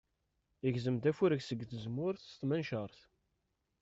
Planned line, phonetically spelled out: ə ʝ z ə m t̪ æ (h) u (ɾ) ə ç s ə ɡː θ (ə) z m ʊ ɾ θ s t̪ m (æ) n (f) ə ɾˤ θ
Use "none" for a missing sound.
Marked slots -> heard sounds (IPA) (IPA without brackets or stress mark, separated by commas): f, ɾ, ə, æ, ʃ